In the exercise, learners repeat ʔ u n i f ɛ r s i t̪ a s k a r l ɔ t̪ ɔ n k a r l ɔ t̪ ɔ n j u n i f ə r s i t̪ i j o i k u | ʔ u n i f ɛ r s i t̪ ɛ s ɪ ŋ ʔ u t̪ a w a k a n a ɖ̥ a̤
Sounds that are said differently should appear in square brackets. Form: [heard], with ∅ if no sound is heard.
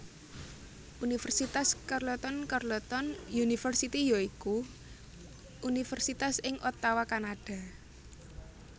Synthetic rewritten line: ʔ u n i f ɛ r s i t̪ a s k a r l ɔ t̪ ɔ n k a r l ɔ t̪ ɔ n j u n i f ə r s i t̪ i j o i k u | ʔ u n i f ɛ r s i t̪ [a] s ɪ ŋ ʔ [ɔ] t̪ a w a k a n a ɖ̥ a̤